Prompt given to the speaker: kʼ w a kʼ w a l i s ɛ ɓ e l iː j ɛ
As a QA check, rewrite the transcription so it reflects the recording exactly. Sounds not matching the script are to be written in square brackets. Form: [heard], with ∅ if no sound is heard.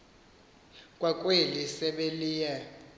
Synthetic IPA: kʼ w a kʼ w [e] l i s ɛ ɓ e l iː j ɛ

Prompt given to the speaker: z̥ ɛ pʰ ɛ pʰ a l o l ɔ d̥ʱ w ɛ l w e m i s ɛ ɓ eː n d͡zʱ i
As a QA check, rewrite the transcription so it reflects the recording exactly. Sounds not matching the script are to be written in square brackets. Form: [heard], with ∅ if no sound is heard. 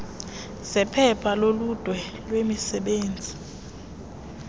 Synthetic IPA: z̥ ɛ pʰ ɛ pʰ a l o l [u] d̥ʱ w ɛ l w e m i s ɛ ɓ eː n d͡zʱ i

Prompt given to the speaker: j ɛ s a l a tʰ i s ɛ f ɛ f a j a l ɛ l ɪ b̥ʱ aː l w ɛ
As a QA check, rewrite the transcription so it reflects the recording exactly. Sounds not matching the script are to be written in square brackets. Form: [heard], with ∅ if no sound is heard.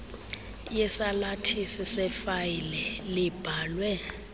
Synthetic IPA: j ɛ s a l a tʰ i s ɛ [s] ɛ f a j [i] l ɛ l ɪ b̥ʱ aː l w ɛ

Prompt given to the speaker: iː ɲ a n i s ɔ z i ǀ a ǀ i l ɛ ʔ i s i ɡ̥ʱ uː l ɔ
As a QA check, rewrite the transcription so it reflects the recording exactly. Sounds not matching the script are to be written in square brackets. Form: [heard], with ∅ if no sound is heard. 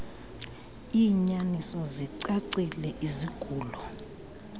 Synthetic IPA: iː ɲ a n i s ɔ z i ǀ a ǀ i l ɛ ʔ i [z] i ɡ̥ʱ uː l ɔ

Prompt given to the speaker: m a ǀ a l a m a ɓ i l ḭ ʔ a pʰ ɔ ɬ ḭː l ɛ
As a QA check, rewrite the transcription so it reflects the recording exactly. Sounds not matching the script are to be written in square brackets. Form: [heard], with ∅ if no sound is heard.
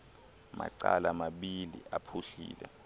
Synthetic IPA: m a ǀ a l a m a ɓ i l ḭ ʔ a pʰ [u] ɬ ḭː l ɛ

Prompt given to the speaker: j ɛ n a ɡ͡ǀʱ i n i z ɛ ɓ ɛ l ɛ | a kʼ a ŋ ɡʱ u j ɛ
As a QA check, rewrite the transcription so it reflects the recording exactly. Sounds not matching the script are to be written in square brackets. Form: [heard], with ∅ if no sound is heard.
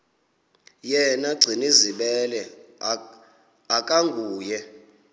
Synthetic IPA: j ɛ n a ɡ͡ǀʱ i n i z [i] ɓ ɛ l ɛ | a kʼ a ŋ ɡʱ [uː] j ɛ

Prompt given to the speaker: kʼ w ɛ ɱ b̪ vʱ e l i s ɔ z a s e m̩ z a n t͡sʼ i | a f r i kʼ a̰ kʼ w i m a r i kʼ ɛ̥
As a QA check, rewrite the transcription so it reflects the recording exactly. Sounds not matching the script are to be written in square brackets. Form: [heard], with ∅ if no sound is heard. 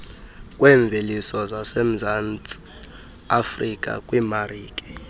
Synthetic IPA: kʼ w ɛ ɱ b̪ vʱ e l i s ɔ z a s e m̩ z a n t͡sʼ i | a f r i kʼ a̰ kʼ w i m a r [iː] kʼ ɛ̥

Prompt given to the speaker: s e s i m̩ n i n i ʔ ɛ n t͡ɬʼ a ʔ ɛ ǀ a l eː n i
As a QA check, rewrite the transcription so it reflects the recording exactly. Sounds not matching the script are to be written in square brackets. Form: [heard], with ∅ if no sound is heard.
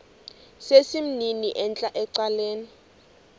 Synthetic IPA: s e s i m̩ n i n i ʔ ɛ n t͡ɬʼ a ʔ ɛ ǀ a l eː n i

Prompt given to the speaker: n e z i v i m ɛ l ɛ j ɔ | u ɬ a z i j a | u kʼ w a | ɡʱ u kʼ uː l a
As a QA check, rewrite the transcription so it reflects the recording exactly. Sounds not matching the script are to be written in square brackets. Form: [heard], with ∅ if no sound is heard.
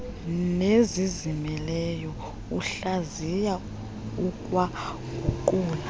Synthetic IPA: n e z i [z] i m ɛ l ɛ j ɔ | u ɬ a z i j a | u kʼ w a | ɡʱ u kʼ uː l a

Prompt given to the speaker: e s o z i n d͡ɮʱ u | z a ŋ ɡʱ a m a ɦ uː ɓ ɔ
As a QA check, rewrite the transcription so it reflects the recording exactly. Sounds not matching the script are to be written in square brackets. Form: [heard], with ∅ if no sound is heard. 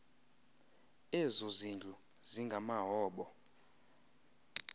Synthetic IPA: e [z] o z i n d͡ɮʱ u | z [i] ŋ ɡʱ a m a ɦ [ɔː] ɓ ɔ

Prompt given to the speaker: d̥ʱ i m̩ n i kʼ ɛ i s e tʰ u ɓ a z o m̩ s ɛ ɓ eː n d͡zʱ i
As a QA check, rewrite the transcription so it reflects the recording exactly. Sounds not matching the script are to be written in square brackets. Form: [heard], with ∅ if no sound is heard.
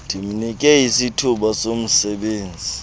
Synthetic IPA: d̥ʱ i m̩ n i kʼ ɛ i s [i] tʰ u ɓ a [s] o m̩ s ɛ ɓ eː n d͡zʱ i

